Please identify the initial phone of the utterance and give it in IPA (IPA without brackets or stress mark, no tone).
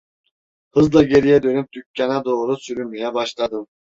h